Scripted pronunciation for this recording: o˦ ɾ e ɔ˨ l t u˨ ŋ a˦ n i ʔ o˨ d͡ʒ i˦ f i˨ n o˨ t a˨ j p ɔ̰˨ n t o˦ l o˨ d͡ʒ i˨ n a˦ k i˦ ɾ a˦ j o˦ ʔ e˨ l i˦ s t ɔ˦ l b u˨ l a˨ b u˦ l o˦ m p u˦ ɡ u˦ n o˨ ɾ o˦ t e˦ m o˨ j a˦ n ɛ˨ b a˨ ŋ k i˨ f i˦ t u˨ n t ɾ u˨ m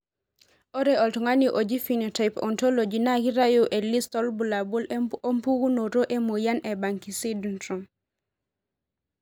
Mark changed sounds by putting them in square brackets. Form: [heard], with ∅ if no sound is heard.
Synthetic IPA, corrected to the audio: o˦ ɾ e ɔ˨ l t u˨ ŋ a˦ n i ʔ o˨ d͡ʒ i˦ f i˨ n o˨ t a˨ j p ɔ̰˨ n t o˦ l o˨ d͡ʒ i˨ n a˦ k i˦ ɾ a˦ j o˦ ʔ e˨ l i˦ s t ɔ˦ l b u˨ l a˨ b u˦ l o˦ m p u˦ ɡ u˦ n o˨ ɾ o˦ [ʔ] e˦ m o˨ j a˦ n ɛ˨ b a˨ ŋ k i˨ [s] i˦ [d] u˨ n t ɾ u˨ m